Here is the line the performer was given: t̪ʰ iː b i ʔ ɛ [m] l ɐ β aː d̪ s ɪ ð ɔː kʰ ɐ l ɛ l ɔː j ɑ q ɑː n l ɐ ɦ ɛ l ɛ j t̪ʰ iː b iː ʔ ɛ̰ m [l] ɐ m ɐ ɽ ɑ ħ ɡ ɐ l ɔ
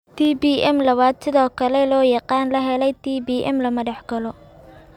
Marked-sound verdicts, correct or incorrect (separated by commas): correct, correct